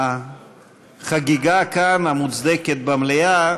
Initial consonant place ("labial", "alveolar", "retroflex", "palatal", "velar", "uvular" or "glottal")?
uvular